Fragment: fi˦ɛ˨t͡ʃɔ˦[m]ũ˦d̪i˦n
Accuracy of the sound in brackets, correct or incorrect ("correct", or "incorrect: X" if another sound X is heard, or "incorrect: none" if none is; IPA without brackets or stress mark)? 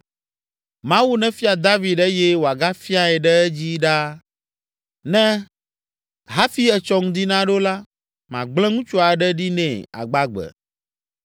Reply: incorrect: ŋ